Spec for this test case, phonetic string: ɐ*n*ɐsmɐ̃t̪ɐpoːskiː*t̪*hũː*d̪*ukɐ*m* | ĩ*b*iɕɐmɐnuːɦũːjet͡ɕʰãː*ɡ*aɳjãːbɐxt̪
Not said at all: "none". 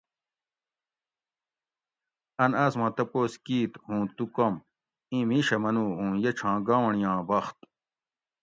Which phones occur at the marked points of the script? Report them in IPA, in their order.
n, t̪, t̪, m, m, ɡ

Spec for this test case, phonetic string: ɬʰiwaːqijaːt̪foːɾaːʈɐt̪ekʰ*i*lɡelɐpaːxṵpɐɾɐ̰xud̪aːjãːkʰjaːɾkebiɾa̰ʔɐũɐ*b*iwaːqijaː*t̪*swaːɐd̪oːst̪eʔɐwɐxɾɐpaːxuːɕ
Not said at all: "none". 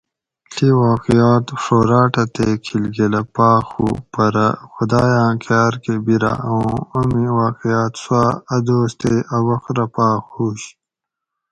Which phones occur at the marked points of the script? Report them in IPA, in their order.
i, m, t̪

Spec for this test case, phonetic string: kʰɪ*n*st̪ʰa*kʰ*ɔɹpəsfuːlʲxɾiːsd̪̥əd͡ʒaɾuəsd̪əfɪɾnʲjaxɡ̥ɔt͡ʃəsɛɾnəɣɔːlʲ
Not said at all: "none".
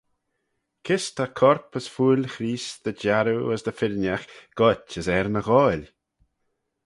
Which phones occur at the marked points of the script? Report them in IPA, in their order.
none, kʰ

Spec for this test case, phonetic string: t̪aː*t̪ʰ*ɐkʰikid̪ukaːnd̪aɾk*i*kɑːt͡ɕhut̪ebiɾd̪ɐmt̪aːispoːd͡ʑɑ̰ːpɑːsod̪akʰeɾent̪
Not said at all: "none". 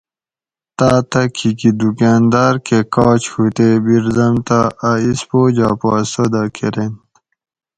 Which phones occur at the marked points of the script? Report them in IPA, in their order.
t̪, e

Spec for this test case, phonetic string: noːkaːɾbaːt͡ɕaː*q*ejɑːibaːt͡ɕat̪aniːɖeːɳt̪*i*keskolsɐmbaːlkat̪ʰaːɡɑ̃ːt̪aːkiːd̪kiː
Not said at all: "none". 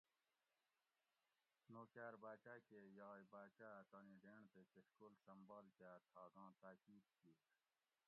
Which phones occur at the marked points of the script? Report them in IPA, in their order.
k, e

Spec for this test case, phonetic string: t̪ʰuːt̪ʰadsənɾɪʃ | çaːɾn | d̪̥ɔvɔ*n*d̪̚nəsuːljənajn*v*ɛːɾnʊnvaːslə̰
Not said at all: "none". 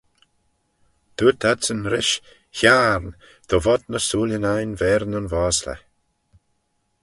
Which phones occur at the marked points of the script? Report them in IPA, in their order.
none, v

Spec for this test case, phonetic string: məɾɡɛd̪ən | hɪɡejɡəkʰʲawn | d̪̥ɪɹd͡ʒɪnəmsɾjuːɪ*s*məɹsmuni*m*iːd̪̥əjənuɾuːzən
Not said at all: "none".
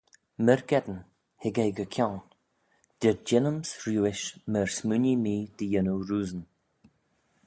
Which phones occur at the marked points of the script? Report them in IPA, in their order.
ʃ, m

